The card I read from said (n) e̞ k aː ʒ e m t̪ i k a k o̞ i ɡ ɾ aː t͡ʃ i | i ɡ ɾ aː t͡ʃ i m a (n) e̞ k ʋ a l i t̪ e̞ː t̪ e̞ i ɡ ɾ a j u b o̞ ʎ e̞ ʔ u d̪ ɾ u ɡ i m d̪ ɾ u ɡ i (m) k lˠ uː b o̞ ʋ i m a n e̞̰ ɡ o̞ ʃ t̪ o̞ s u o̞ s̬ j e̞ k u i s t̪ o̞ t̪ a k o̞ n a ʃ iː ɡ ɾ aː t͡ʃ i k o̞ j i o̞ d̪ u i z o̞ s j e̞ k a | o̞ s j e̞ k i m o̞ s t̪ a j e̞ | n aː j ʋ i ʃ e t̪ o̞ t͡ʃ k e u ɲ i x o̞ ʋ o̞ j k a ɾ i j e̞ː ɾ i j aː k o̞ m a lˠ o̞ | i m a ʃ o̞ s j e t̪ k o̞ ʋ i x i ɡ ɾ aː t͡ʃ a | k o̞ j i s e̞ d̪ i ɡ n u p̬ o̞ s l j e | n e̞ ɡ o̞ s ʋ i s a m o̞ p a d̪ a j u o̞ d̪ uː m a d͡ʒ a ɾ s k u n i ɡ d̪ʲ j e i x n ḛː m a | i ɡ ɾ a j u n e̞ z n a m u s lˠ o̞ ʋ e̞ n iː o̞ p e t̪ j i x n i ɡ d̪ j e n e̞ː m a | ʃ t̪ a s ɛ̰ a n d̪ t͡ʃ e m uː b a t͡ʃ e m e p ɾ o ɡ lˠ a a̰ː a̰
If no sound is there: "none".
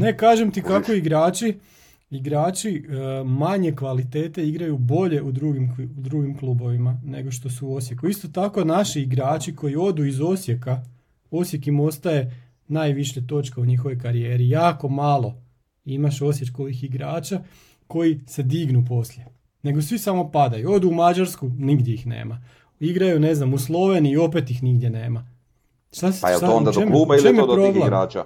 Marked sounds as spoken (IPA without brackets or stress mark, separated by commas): n, ɲ, m